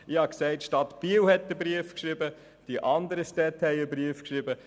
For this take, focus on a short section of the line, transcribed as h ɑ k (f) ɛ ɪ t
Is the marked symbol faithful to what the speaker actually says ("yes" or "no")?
no